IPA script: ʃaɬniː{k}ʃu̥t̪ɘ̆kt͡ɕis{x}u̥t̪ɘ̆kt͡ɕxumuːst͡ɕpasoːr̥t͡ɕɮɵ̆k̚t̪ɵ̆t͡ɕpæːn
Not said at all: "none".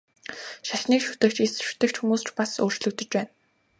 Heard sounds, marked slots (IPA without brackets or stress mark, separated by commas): k, ʃ